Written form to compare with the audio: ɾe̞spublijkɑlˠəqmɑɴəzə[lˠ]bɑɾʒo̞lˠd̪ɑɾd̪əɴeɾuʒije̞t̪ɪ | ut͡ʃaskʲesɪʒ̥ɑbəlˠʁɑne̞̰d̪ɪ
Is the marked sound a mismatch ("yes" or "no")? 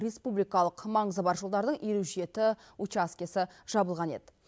yes